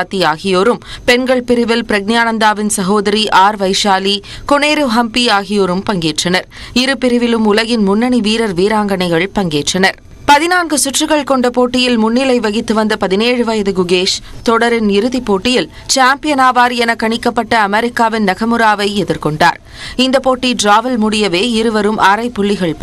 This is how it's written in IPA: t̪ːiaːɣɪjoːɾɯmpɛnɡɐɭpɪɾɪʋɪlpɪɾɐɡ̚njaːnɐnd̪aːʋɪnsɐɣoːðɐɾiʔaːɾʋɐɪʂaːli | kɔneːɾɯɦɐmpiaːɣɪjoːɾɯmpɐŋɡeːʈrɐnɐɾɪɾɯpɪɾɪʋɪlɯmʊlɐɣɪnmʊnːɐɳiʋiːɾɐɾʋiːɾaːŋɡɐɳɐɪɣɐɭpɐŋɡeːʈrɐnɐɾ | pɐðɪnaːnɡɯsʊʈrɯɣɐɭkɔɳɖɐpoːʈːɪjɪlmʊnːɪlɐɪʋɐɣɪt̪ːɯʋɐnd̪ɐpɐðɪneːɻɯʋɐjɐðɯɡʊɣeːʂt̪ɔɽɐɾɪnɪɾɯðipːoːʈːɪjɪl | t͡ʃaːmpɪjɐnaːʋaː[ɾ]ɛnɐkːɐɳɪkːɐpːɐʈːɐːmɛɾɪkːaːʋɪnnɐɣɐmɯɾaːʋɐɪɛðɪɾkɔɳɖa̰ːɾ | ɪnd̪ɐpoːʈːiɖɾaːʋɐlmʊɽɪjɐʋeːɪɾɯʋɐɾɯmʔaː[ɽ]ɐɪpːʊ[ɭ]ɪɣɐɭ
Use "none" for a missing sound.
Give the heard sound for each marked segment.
ɾ, ɾ, ɭː

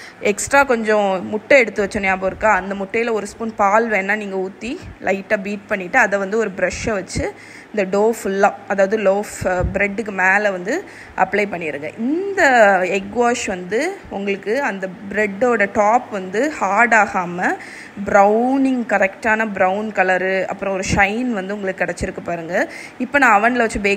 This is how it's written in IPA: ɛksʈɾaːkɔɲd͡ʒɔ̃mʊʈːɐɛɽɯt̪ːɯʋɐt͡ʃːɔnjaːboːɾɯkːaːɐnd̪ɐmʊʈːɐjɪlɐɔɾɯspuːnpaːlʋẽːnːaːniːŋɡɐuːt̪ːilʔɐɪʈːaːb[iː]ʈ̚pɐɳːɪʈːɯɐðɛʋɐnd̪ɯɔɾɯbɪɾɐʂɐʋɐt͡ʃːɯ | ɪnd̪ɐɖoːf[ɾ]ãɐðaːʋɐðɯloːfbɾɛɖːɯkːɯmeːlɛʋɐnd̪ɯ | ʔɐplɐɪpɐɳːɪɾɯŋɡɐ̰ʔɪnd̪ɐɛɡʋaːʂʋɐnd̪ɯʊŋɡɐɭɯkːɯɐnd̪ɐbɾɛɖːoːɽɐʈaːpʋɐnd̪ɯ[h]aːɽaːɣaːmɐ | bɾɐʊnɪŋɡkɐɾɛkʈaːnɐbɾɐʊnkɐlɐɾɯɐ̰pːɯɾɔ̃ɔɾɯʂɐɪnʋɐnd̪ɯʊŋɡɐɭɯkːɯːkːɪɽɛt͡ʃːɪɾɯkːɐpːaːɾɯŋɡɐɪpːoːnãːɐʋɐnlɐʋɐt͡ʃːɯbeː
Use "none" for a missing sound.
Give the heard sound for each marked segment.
iː, l, h

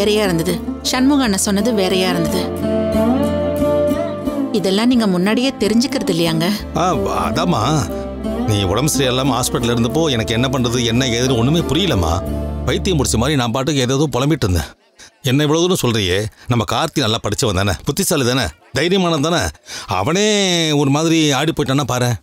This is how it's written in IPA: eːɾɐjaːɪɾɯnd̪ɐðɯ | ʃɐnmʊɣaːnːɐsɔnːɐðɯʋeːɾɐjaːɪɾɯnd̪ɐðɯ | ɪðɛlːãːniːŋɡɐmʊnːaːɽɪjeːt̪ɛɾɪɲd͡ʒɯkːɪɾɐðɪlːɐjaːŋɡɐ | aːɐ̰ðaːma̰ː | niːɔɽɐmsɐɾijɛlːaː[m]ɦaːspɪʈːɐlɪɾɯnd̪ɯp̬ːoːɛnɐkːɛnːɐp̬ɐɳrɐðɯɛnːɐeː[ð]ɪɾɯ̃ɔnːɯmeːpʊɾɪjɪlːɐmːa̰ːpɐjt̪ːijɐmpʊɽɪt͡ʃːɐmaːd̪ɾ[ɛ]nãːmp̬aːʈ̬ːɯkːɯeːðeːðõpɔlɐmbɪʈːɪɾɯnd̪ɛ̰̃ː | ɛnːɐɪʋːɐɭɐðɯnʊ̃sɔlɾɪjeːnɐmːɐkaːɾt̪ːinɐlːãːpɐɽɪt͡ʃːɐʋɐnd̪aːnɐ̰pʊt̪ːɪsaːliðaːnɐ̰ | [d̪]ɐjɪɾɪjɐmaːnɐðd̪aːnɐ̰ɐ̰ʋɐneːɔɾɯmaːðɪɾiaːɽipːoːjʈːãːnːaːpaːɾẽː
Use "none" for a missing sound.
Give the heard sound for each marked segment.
m, ð, i, d̪

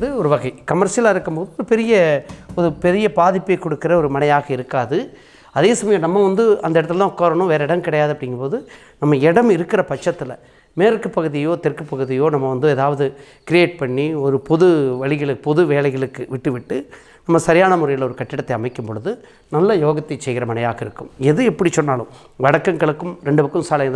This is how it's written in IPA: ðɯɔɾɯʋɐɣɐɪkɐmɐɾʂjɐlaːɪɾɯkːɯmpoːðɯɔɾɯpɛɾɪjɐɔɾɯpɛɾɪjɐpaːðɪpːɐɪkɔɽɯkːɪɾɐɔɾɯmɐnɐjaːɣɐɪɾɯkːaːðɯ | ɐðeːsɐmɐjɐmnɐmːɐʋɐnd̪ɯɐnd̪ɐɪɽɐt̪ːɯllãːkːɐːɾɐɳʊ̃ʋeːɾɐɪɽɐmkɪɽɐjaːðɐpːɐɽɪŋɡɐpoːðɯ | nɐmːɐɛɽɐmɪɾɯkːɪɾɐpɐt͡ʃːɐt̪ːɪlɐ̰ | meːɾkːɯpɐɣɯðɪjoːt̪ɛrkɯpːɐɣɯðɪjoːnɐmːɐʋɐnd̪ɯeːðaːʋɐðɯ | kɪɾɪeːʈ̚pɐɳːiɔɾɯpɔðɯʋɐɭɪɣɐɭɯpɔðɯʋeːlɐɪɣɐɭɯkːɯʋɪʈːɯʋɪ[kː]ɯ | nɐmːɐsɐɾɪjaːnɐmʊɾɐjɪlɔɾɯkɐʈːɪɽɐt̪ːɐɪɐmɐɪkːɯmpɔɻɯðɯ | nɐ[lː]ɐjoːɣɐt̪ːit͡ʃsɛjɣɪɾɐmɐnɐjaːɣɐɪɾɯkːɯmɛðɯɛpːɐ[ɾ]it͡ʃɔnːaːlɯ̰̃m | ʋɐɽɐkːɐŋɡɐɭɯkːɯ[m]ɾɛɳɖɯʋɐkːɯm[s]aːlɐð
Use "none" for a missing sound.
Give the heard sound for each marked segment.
ʈː, lː, ɽ, m, s

